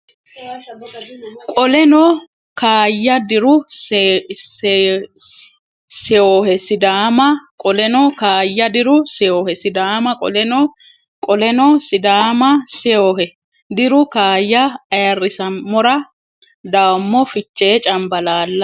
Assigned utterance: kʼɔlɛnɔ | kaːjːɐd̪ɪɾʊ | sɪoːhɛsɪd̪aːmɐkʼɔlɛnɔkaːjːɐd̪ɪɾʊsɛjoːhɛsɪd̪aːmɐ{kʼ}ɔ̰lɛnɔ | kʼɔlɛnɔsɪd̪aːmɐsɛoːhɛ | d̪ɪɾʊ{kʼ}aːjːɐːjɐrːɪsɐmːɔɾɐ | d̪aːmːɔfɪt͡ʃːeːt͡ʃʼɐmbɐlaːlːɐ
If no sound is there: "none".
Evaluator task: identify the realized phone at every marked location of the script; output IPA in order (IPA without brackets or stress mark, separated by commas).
kʼ, k